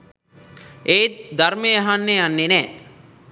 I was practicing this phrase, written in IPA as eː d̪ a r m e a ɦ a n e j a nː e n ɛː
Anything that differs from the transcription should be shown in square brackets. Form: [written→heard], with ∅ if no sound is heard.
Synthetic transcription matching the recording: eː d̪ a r m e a ɦ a [n→nː] e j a nː e n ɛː